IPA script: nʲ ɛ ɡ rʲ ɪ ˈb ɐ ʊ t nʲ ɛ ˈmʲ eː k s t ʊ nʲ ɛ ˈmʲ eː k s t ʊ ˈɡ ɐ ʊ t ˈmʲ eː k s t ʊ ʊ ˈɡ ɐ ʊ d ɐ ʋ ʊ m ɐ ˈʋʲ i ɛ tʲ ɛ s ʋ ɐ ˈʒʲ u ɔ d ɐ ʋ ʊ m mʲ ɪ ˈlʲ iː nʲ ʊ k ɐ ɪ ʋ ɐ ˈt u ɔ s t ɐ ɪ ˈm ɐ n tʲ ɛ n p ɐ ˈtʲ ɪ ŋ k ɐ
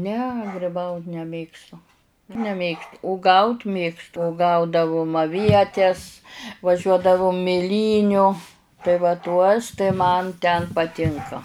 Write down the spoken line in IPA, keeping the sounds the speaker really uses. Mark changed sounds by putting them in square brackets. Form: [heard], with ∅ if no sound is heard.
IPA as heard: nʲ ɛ ɡ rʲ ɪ ˈb ɐ ʊ t nʲ ɛ ˈmʲ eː k s t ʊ nʲ ɛ ˈmʲ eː k s t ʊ ˈɡ ɐ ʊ t ˈmʲ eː k s t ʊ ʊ ˈɡ ɐ ʊ d ɐ ʋ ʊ m ɐ ˈʋʲ i ɛ tʲ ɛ s ʋ ɐ ˈʒʲ u ɔ d ɐ ʋ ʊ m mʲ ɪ ˈlʲ iː nʲ ʊ [t] ɐ ɪ ʋ ɐ ˈt u ɔ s t ɐ ɪ ˈm ɐ n tʲ ɛ n p ɐ ˈtʲ ɪ ŋ k ɐ